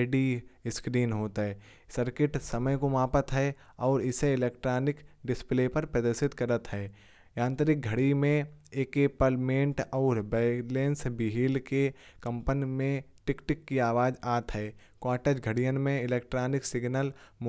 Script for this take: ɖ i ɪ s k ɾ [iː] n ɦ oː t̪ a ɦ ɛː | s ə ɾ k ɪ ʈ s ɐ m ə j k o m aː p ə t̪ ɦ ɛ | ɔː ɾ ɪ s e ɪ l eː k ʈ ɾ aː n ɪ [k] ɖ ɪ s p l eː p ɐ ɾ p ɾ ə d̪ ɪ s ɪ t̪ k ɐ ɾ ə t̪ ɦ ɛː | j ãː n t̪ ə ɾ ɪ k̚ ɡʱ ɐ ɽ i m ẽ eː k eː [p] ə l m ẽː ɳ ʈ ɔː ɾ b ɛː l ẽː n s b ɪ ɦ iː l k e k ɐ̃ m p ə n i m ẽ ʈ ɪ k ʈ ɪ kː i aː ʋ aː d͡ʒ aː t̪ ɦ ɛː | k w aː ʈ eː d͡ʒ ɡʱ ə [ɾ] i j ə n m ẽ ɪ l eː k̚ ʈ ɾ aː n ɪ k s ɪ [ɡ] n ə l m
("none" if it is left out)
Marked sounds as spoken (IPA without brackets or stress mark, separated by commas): iː, k, p, ɽ, ɡ